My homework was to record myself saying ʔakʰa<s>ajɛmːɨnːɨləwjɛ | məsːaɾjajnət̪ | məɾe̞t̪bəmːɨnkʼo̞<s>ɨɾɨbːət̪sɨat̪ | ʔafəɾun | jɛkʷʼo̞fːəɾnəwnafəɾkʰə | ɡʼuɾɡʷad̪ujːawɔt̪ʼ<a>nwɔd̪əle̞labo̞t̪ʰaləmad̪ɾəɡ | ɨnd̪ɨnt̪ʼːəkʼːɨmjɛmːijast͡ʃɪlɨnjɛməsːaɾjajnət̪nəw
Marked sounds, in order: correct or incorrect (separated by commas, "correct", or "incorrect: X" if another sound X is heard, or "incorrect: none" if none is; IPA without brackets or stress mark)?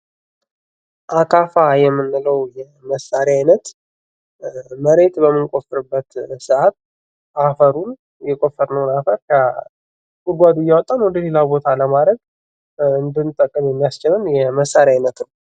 incorrect: f, incorrect: f, correct